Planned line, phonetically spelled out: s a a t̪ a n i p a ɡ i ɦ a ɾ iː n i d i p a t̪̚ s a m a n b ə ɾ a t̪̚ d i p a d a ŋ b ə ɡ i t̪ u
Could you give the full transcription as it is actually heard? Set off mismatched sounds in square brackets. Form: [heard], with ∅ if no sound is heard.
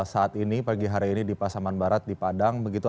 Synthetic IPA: s a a t̪ [i] n i p a ɡ i ɦ a ɾ iː n i d i p a [∅] s a m a n b [a] ɾ a t̪̚ d i p a d a ŋ b ə ɡ i t̪ u